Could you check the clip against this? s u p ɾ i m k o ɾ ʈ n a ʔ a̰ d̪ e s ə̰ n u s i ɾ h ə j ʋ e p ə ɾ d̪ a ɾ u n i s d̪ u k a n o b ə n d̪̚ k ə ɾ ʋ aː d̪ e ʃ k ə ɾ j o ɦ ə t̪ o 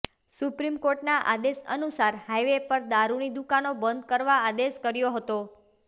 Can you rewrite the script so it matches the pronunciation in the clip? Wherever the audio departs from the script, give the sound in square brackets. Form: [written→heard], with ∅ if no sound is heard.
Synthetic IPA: s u p ɾ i m k o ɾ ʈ n a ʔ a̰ d̪ e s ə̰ n u s [i→a] ɾ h [ə→a] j ʋ e p ə ɾ d̪ a ɾ u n i [s→∅] d̪ u k a n o b ə n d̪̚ k ə ɾ ʋ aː d̪ e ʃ k ə ɾ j o ɦ ə t̪ o